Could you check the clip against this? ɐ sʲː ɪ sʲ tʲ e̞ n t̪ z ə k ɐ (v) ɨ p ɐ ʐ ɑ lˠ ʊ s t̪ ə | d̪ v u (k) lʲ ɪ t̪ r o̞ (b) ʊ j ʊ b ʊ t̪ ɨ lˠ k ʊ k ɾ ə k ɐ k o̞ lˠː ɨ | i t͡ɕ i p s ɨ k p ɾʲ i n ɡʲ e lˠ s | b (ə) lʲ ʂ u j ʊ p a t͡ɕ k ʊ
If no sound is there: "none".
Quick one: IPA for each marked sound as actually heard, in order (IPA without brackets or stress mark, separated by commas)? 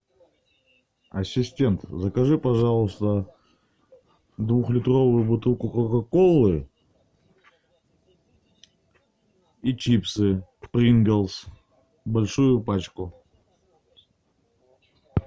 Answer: ʐ, x, v, ɐ